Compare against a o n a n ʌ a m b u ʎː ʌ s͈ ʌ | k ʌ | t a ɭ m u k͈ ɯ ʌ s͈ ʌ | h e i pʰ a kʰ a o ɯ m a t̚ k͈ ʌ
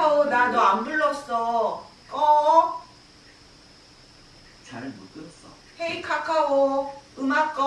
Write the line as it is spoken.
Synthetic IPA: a o n a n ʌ a m b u ɭː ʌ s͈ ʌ | k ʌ | t͡ɕ a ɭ m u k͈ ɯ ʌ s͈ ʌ | h e i kʰ a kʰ a o ɯ m a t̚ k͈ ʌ